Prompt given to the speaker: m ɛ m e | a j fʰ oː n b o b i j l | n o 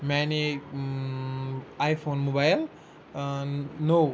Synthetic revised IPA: m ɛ n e | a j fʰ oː n m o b a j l | n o